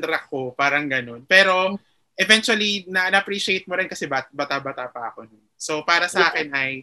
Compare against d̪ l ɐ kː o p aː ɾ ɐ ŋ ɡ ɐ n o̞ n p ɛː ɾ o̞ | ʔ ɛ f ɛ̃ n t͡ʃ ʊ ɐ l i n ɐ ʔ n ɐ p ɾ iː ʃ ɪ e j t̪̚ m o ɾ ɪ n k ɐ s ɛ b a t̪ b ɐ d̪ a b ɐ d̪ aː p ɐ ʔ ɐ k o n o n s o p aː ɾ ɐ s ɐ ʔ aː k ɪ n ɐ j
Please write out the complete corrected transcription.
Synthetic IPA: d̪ ɾ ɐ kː o p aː ɾ ɐ ŋ ɡ ɐ n o̞ n p ɛː ɾ o̞ | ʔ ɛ v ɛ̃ n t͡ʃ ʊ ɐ l i n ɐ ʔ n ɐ p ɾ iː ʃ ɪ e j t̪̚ m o ɾ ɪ n k ɐ s ɛ b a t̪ b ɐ t̪ a b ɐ t̪ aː p ɐ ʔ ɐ k o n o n s o p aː ɾ ɐ s ɐ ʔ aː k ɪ n ɐ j